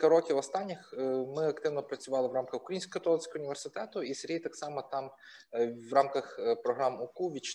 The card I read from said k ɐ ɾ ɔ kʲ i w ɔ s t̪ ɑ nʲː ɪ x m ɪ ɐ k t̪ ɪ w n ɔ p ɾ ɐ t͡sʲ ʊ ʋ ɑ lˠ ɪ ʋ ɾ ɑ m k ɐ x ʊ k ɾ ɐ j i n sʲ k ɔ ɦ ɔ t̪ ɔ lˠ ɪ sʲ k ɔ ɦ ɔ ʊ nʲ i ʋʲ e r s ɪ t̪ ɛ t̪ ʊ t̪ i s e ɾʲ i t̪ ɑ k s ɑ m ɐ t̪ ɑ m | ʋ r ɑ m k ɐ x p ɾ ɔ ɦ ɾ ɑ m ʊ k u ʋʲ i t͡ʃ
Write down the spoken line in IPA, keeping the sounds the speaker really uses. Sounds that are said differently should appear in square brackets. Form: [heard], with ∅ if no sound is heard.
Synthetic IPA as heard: k ɐ ɾ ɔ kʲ i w ɔ s t̪ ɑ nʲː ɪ x m ɪ ɐ k t̪ ɪ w n ɔ p ɾ ɐ t͡sʲ ʊ ʋ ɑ lˠ ɪ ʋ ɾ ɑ m k ɐ x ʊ k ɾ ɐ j i n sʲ k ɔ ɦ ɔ t̪ ɔ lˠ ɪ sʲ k ɔ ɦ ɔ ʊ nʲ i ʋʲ e r s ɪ t̪ ɛ t̪ ʊ [∅] i s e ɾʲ i t̪ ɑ k s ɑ m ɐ t̪ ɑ m | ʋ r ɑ m k ɐ x p ɾ ɔ ɦ ɾ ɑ m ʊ k u ʋʲ i t͡ʃ